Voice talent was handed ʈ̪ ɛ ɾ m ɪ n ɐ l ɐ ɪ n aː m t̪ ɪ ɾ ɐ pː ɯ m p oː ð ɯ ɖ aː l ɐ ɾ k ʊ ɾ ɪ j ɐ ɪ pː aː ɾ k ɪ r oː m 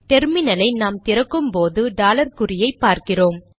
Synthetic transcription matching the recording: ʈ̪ ɛ ɾ m ɪ n ɐ l ɐ ɪ n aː m t̪ ɪ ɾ ɐ kː ɯ m p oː ð ɯ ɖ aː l ɐ ɾ k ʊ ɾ ɪ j ɐ ɪ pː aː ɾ k ɪ r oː m

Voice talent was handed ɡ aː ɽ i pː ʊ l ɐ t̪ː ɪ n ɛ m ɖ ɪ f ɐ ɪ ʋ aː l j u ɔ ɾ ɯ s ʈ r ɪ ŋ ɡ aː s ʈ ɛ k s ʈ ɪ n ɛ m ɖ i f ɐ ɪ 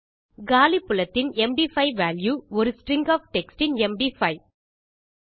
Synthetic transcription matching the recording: ɡ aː l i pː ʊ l ɐ t̪ː ɪ n ɛ m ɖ i f ɐ ɪ ʋ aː l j u ɔ ɾ ɯ s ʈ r ɪ ŋ ɡ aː f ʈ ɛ k s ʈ ɪ n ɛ m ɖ i f ɐ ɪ

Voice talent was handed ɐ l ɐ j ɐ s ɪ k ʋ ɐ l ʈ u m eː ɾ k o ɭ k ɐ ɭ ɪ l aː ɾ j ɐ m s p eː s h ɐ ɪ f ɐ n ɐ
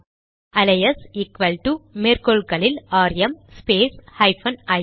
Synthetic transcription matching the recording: ɐ l ɐ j ɐ s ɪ k ʋ ɐ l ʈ u m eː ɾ k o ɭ k ɐ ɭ ɪ l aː ɾ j ɐ m s p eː s h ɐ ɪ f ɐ n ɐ

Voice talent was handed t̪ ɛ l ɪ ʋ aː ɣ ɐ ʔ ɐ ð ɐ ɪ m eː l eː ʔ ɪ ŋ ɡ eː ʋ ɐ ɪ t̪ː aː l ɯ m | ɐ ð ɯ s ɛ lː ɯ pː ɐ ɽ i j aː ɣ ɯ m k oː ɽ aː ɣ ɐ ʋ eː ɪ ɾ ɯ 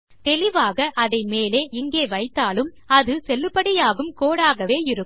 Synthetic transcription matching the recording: t̪ ɛ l ɪ ʋ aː ɣ ɐ ʔ ɐ ð ɐ ɪ m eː l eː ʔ ɪ ŋ ɡ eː ʋ ɐ ɪ t̪ː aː l ɯ m | ɐ ð ɯ s ɛ lː ɯ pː ɐ ɽ ɪ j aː ɣ ɯ m k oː ɽ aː ɣ ɐ ʋ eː ɪ ɾ ɯ

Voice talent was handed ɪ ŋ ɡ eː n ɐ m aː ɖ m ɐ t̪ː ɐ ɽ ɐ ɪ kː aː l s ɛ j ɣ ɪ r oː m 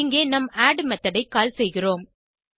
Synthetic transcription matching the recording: ɪ ŋ ɡ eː n ɐ m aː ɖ m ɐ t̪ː ɐ ɽ ɐ ɪ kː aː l s ɛ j ɣ ɪ r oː m

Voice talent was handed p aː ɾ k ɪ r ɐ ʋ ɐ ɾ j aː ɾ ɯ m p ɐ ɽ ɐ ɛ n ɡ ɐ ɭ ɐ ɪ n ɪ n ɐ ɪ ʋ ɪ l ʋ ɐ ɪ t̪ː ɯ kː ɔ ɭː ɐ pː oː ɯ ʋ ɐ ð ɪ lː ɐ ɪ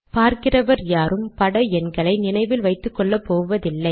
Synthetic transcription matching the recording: p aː ɾ k ɪ r ɐ ʋ ɐ ɾ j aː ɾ ɯ m p ɐ ɽ ɐ ɛ n ɡ ɐ ɭ ɐ ɪ n ɪ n ɐ ɪ ʋ ɪ l ʋ ɐ ɪ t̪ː ɯ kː ɔ ɭː ɐ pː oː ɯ ʋ ɐ ð ɪ lː ɐ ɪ

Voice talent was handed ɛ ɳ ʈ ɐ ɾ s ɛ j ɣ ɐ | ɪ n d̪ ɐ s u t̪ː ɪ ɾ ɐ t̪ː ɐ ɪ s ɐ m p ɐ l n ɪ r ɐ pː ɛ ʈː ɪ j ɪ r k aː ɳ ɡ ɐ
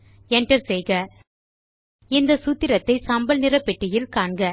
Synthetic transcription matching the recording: ɛ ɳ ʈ ɐ ɾ s ɛ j ɣ ɐ | ɪ n d̪ ɐ s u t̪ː ɪ ɾ ɐ t̪ː ɐ ɪ s ɐ m b ɐ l n ɪ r ɐ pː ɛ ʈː ɪ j ɪ l k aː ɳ ɡ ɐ

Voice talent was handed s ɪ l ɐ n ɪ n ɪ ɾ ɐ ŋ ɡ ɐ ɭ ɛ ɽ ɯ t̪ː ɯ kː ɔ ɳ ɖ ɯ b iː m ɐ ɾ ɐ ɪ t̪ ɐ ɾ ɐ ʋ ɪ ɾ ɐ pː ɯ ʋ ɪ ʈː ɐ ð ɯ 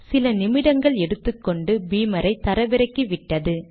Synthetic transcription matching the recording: s ɪ l ɐ n ɪ m ɪ ɽ ɐ ŋ ɡ ɐ ɭ ɛ ɽ ɯ t̪ː ɯ kː ɔ ɳ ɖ ɯ b iː m ɐ ɾ ɐ ɪ t̪ ɐ ɾ ɐ ʋ ɪ ɾ ɐ kː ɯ ʋ ɪ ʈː ɐ ð ɯ

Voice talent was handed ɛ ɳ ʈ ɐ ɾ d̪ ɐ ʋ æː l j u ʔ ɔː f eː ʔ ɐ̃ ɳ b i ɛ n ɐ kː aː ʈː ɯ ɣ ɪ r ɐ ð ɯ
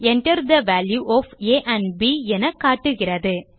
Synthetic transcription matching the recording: ɛ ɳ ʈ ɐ ɾ d̪ ɐ ʋ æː l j u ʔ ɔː f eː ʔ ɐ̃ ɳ b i ɛ n ɐ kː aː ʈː ɯ ɣ ɪ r ɐ ð ɯ

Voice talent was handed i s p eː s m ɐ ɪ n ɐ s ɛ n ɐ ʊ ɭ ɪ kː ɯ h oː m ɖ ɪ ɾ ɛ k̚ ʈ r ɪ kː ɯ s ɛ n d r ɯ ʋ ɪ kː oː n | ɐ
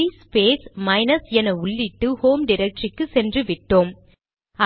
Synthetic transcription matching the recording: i s p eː s m ɐ ɪ n ɐ s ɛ n ɐ ʊ ɭː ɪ ʈː ɯ h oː m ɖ ɪ ɾ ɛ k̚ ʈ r ɪ kː ɯ s ɛ n d r ɯ ʋ ɪ ʈː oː m | ɐ

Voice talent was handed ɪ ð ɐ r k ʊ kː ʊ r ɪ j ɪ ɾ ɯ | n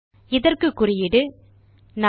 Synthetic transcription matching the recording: ɪ ð ɐ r k ɯ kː ʊ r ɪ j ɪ ɽ ɯ | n

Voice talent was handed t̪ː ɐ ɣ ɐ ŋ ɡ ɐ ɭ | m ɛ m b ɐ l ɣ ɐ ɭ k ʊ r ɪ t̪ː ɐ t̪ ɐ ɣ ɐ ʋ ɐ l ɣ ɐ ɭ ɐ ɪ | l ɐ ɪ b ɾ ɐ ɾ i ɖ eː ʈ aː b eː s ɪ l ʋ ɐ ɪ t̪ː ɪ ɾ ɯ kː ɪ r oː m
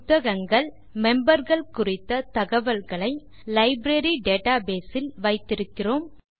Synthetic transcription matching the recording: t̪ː ɐ ɣ ɐ ŋ ɡ ɐ ɭ | m ɛ m b ɐ ɾ ɣ ɐ ɭ k ʊ r ɪ t̪ː ɐ t̪ ɐ ɣ ɐ ʋ ɐ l ɣ ɐ ɭ ɐ ɪ | l ɐ ɪ b ɾ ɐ ɾ i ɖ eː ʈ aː b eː s ɪ l ʋ ɐ ɪ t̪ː ɪ ɾ ɯ kː ɪ r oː m

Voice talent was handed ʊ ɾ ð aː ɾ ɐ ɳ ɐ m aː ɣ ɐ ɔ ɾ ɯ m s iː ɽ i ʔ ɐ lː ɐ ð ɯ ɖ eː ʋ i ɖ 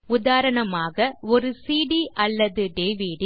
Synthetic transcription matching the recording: ʊ ð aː ɾ ɐ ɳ ɐ m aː ɣ ɐ ɔ ɾ ɯ s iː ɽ i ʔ ɐ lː ɐ ð ɯ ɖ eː ʋ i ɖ

